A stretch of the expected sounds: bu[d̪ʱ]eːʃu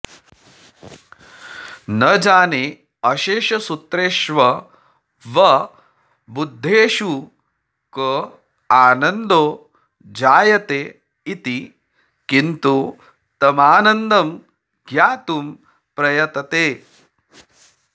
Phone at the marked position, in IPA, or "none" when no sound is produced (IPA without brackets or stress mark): d̪ʱː